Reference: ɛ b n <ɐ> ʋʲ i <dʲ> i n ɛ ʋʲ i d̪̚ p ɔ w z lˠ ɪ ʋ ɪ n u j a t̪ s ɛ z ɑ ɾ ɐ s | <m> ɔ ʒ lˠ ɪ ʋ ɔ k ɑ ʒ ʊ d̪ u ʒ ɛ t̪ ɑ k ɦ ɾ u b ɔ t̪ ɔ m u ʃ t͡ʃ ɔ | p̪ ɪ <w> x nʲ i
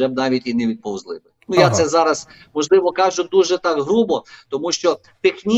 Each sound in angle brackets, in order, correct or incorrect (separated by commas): incorrect, incorrect, correct, incorrect